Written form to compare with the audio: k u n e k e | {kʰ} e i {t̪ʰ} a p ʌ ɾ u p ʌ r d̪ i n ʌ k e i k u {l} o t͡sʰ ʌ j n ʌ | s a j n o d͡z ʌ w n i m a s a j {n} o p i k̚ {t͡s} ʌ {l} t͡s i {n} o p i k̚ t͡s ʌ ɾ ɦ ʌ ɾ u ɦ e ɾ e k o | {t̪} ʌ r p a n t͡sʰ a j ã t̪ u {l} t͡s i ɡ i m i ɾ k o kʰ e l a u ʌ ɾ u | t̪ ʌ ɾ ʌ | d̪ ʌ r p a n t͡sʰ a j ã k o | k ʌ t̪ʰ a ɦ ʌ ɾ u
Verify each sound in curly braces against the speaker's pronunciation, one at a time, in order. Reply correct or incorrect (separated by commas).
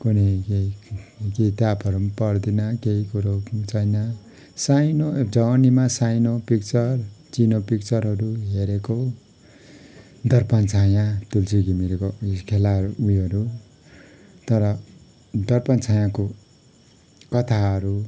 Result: incorrect, incorrect, incorrect, correct, correct, incorrect, correct, incorrect, correct